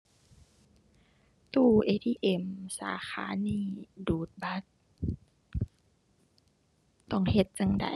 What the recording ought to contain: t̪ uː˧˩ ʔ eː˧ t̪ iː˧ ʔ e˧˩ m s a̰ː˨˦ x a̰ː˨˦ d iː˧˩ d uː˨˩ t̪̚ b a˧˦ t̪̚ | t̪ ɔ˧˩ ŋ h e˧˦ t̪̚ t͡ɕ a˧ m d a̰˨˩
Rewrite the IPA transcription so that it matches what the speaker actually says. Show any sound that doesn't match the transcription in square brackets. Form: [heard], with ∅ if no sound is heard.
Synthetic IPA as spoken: t̪ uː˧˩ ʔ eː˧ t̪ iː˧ ʔ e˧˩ m s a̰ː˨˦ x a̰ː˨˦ [n] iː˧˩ d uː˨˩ t̪̚ b a˧˦ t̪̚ | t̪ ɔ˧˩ ŋ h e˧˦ t̪̚ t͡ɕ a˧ [ŋ] d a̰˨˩